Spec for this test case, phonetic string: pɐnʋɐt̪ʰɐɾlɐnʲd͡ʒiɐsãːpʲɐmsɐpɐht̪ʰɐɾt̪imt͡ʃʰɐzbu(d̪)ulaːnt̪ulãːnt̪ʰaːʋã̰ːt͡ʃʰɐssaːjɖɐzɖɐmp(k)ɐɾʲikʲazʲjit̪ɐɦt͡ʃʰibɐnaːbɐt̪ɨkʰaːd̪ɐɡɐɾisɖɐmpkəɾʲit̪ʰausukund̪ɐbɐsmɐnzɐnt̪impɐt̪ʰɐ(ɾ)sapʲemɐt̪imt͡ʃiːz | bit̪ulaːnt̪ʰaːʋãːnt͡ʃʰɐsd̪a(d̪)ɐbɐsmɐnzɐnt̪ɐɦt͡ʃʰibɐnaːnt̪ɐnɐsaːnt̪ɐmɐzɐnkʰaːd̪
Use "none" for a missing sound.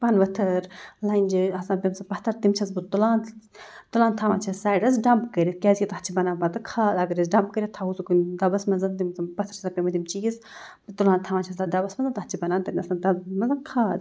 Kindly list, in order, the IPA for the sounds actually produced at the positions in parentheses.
t̪, k, ɾ, d̪

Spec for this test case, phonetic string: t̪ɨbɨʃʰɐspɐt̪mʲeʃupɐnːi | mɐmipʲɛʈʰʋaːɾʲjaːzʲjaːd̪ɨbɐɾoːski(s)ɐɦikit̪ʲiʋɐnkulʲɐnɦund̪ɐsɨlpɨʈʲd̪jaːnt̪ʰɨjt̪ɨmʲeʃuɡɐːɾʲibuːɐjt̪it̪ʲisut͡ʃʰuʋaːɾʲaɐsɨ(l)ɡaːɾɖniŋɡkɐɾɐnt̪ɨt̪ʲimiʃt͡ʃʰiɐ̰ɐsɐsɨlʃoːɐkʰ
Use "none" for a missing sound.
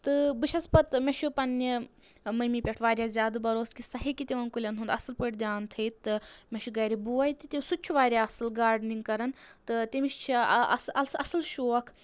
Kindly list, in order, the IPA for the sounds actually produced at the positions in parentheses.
s, l

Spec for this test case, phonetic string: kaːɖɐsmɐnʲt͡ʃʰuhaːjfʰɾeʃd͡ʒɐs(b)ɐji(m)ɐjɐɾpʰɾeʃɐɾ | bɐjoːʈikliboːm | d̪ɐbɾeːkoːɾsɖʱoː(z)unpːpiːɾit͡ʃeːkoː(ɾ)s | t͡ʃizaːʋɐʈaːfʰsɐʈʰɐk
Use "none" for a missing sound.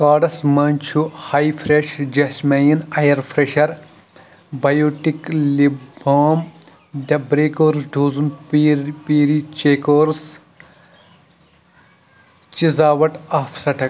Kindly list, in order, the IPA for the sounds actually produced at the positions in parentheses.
m, n, z, ɾ

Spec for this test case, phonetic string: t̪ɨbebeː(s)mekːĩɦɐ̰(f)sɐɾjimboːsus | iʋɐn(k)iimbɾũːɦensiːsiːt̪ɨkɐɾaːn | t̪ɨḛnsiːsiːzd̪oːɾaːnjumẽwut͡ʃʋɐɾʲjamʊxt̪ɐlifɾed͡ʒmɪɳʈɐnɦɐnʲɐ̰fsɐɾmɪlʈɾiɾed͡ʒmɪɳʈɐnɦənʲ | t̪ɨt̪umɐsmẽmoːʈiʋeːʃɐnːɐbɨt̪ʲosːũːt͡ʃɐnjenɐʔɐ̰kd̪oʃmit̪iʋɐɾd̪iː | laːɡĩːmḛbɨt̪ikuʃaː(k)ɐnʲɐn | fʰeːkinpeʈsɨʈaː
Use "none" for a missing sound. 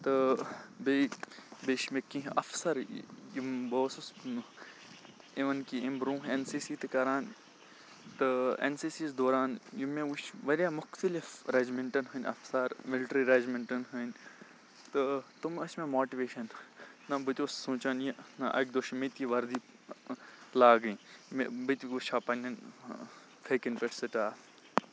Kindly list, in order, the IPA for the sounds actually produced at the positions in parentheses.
ʃ, f, k, p

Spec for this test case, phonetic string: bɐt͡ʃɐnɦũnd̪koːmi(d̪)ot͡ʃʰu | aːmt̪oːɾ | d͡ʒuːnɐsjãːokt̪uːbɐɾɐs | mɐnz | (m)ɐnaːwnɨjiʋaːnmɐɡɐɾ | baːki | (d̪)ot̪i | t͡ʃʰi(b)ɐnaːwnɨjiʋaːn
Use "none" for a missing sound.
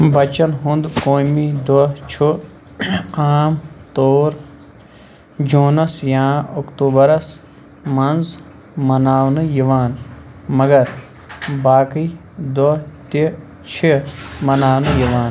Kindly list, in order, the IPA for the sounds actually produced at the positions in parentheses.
d̪, m, d̪, m

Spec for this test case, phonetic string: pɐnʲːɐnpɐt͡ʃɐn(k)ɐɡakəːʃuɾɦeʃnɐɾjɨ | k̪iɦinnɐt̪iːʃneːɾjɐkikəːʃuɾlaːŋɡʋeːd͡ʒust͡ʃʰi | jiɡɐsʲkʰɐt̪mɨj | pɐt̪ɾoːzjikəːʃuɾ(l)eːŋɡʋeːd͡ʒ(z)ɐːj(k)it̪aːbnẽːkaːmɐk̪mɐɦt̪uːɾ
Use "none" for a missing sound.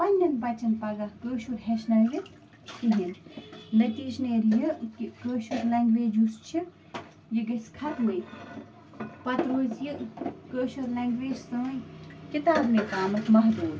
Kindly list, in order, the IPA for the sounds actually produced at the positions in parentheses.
p, l, s, k

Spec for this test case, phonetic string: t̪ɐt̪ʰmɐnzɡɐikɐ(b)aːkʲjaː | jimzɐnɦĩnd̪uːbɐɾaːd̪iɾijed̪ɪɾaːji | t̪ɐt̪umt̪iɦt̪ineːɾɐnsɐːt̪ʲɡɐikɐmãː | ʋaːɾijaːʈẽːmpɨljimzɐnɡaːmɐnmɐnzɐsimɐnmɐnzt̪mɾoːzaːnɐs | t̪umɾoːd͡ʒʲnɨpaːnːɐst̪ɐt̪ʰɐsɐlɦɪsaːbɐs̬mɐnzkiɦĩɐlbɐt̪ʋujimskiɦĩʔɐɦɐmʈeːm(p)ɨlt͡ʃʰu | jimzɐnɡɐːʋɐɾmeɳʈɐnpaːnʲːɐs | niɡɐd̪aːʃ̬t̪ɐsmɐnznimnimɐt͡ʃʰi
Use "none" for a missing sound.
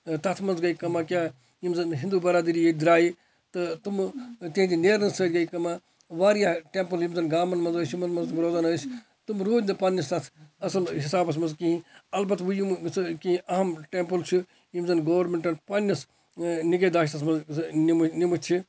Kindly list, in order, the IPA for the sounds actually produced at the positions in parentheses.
m, p

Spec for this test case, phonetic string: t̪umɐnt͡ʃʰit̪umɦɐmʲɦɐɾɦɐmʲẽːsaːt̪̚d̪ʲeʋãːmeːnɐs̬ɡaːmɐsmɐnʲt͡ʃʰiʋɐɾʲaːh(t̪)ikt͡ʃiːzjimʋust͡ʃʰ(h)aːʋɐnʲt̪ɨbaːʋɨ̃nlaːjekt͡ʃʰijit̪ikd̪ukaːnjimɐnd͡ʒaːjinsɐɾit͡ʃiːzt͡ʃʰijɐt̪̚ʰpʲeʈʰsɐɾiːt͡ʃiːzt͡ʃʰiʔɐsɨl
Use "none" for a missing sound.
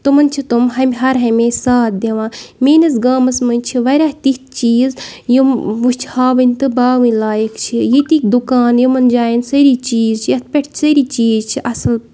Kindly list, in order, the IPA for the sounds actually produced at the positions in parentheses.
t̪, h

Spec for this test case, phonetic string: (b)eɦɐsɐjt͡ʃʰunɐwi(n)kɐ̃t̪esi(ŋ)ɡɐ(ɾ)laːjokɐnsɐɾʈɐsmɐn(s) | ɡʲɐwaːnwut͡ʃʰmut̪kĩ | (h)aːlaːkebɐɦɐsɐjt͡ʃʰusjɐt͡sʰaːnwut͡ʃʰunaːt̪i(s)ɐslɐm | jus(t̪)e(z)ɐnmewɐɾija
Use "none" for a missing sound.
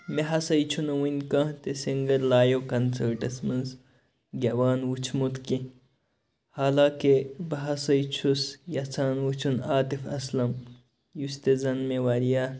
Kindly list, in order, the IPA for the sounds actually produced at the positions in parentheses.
m, n, ŋ, ɾ, z, h, f, t̪, z

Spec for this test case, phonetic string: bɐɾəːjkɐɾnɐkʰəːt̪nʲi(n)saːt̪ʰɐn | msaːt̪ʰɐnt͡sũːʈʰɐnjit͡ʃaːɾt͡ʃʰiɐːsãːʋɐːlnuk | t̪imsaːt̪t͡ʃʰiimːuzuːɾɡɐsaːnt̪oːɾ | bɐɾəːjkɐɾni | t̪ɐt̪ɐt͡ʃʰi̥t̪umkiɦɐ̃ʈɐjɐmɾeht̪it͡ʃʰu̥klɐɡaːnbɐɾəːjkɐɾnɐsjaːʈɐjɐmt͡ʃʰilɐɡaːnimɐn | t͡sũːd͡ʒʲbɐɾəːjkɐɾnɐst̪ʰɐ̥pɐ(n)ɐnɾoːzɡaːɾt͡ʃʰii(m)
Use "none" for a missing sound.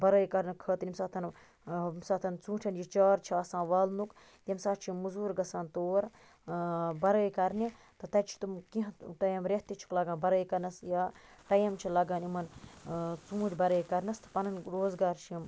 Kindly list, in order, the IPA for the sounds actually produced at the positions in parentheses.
m, n, m

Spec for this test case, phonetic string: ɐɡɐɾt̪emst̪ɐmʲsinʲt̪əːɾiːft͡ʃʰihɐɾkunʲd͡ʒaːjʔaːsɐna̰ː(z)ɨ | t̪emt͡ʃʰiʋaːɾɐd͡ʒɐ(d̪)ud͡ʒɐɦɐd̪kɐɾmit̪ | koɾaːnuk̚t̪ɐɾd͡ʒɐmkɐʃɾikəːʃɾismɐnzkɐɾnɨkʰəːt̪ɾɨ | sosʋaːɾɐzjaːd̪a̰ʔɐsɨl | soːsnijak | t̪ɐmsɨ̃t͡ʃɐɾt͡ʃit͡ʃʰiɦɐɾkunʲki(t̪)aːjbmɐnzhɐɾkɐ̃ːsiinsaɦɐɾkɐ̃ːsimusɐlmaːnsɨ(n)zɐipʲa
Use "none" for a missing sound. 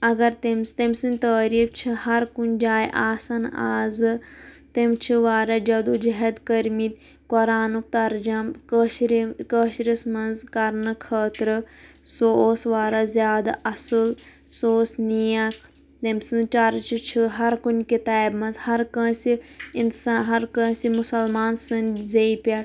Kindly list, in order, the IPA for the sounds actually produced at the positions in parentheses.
z, d̪, t̪, n

